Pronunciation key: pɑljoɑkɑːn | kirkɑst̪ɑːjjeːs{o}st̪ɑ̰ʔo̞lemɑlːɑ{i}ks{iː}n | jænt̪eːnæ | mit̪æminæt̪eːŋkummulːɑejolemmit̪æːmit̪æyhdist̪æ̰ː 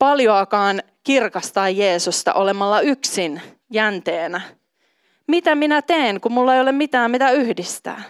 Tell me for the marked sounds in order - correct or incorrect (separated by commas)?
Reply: incorrect, incorrect, incorrect